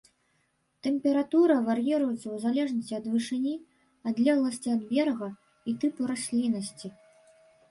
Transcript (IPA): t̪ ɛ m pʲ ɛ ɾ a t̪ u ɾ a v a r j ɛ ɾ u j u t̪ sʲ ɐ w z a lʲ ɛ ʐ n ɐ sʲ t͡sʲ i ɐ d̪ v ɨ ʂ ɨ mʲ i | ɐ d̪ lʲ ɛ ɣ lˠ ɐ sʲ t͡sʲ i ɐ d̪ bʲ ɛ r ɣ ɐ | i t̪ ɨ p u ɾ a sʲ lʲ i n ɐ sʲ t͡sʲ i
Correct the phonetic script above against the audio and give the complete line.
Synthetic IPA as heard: t̪ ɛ m pʲ ɛ ɾ a t̪ u ɾ ɐ v a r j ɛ ɾ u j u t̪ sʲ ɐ w z a lʲ ɛ ʐ n ɐ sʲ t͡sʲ i ɐ d̪ v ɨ ʂ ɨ nʲ i | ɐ d̪ lʲ ɛ ɣ lˠ ɐ sʲ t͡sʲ i ɐ d̪ bʲ ɛ r ɣ ɐ | i t̪ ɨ p u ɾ a sʲ lʲ i n ɐ sʲ t͡sʲ i

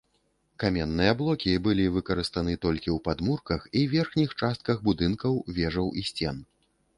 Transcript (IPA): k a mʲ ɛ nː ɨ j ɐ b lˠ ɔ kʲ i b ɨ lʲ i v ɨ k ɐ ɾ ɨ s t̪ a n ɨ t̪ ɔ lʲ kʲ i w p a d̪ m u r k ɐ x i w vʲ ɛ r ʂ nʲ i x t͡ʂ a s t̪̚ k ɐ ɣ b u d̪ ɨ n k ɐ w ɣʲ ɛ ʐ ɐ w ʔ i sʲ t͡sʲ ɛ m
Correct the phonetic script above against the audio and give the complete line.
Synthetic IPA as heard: k a mʲ ɛ nː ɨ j ɐ b lˠ ɔ kʲ i b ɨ lʲ i v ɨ k ɐ ɾ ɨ s t̪ a n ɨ t̪ ɔ lʲ kʲ i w p a d̪ m u r k ɐ x i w vʲ ɛ r x nʲ i x t͡ʂ a s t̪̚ k ɐ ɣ b u d̪ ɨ n k ɐ w vʲ ɛ ʐ ɐ w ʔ i sʲ t͡sʲ ɛ n

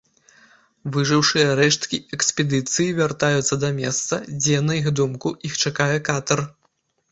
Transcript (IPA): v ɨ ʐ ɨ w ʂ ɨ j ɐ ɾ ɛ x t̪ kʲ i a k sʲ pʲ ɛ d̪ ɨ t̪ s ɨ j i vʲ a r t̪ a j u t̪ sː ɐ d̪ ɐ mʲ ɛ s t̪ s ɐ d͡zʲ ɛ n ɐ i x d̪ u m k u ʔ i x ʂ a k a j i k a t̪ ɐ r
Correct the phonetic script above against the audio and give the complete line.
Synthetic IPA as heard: v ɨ ʐ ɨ w ʂ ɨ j ɐ ɾ ɛ ʂ t̪ kʲ i ɛ k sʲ pʲ ɛ d̪ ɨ t̪ s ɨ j i vʲ a r t̪ a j u t̪ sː ɐ d̪ ɐ mʲ ɛ s t̪ s ɐ d͡zʲ ɛ n ɐ i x d̪ u m k u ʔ i x t͡ʂ a k a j ɛ k a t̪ ɐ r

